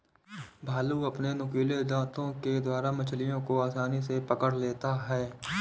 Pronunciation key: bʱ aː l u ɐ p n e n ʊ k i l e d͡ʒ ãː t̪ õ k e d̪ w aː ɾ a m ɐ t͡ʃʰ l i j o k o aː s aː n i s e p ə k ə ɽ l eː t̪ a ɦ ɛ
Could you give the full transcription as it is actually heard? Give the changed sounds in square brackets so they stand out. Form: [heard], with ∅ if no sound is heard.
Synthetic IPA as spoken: bʱ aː l u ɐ p n e n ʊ k [iː] l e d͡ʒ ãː t̪ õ k e d̪ w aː ɾ a m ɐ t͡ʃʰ l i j [õ] k o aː s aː n i s e p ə k ə ɽ l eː t̪ a ɦ [ɛː]